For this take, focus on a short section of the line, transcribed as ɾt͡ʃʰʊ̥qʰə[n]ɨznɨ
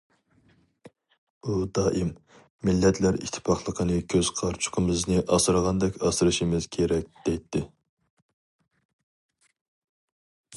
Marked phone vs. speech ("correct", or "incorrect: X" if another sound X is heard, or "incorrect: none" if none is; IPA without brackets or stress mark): incorrect: m